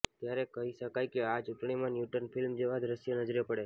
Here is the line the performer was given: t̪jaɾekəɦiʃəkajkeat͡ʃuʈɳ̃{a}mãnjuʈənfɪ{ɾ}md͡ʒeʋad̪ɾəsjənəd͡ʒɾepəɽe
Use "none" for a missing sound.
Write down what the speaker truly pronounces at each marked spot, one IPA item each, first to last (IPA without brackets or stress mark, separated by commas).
i, l